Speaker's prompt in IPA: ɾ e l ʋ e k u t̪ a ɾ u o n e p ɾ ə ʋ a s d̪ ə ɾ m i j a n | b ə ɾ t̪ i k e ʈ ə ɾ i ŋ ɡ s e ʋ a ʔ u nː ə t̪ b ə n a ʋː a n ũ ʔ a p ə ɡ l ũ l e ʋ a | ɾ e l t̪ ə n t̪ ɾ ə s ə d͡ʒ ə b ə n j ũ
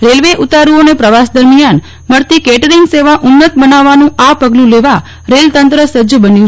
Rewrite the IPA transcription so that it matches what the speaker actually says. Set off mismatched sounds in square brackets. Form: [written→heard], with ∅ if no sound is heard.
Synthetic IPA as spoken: ɾ e l ʋ e [k→ʔ] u t̪ a ɾ u o n e p ɾ ə ʋ a s d̪ ə ɾ m i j a n | [b→m] ə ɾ t̪ i k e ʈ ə ɾ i ŋ ɡ s e ʋ a ʔ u nː ə t̪ b ə n a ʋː a n ũ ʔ a p ə ɡ l ũ l e ʋ a | ɾ e l t̪ ə n t̪ ɾ ə s ə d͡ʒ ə b ə n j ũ